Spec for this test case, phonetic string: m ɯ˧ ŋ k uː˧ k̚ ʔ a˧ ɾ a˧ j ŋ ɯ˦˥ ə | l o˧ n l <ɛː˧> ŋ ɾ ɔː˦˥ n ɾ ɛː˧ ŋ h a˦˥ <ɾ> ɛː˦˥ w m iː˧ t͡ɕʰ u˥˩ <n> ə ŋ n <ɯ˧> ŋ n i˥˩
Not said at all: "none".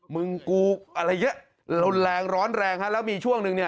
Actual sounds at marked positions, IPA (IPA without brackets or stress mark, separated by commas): ɛː˧, l, none, ɯ˧